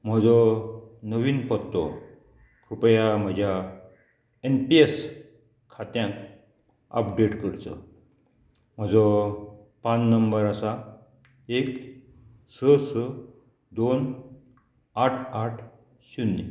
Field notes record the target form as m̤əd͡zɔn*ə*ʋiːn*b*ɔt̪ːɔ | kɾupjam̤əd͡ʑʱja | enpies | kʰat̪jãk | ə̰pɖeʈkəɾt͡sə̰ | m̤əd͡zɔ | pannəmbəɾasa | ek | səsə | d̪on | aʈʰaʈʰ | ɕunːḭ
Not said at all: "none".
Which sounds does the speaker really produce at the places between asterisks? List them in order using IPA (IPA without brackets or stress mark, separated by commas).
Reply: ə, p